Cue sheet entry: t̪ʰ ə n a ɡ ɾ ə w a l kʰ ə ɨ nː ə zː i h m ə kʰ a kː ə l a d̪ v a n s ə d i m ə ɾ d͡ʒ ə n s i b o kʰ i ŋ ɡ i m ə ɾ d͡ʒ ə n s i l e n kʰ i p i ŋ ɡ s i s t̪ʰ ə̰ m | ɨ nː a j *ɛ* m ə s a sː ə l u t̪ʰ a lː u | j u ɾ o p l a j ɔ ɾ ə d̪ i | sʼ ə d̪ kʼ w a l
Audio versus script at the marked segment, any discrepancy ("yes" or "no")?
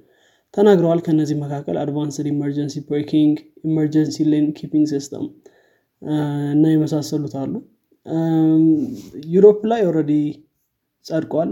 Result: no